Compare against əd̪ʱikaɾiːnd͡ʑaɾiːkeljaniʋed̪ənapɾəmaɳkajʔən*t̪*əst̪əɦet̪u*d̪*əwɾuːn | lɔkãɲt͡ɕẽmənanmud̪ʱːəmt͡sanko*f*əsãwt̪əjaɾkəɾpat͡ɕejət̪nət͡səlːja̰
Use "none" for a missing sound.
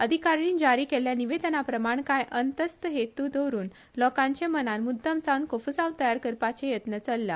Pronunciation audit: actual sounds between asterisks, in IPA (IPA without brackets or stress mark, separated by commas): t̪, d̪, f